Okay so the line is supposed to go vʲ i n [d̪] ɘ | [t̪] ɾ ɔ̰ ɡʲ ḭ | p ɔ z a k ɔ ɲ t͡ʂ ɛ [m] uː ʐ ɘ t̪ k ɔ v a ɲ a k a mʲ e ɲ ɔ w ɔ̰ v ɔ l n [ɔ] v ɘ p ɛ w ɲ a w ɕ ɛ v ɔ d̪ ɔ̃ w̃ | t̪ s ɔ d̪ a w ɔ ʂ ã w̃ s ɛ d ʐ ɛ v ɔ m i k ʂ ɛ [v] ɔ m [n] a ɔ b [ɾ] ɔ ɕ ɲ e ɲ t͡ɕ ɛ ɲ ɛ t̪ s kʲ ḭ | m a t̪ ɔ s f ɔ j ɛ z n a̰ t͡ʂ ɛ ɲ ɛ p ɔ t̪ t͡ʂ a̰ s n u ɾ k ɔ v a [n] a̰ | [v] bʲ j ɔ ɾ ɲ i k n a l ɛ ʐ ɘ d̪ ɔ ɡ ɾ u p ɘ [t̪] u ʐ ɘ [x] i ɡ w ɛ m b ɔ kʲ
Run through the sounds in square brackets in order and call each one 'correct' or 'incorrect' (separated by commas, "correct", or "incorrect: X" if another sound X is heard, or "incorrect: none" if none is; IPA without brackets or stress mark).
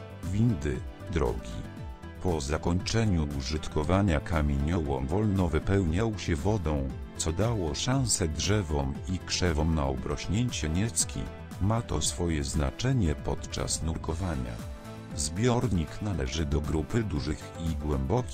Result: correct, incorrect: d̪, incorrect: ɲ, correct, correct, correct, correct, incorrect: ɲ, incorrect: z, incorrect: d̪, correct